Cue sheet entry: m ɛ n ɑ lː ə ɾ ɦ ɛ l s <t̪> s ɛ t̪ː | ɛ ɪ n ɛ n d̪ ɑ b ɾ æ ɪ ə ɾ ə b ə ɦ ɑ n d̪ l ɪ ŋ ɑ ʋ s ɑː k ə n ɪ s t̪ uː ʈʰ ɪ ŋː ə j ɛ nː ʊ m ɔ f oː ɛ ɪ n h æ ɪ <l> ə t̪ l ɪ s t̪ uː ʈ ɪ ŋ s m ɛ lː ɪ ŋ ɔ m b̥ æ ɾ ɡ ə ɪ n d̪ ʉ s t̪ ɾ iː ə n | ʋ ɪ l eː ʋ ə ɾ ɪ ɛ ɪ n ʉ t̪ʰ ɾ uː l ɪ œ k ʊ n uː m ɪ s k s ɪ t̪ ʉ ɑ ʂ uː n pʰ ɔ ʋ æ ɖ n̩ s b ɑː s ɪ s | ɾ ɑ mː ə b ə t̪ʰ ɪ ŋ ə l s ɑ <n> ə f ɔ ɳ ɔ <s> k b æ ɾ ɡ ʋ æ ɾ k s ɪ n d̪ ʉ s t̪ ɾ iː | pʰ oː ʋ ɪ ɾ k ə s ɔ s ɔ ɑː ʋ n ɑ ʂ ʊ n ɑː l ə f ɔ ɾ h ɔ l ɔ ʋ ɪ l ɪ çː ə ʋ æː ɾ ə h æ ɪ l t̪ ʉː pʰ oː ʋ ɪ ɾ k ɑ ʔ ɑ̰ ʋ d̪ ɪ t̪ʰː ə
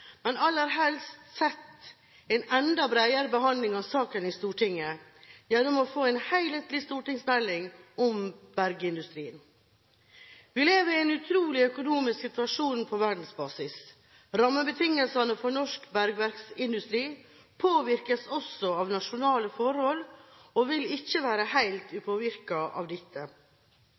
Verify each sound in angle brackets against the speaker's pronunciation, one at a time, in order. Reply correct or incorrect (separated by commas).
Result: correct, correct, correct, incorrect